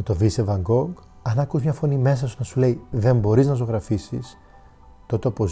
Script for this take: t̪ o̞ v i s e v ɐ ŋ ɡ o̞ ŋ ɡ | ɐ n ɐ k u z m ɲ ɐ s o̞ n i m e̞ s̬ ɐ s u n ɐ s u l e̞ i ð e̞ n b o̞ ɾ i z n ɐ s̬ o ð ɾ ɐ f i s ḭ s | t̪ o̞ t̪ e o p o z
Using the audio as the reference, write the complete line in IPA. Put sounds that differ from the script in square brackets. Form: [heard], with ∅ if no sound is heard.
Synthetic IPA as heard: t̪ o̞ v i s e v ɐ ŋ ɡ o̞ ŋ ɡ | ɐ n ɐ k u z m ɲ ɐ [f] o̞ n i m e̞ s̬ ɐ s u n ɐ s u l e̞ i ð e̞ [m] b o̞ ɾ i z n ɐ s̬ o [ɣ] ɾ ɐ f i s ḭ s | t̪ o̞ t̪ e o p o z